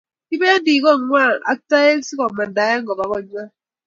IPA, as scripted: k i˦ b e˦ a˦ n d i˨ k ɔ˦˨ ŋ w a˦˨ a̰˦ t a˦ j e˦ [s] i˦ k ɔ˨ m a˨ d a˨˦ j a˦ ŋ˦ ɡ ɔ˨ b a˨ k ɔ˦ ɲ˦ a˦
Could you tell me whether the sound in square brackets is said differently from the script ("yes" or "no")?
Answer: no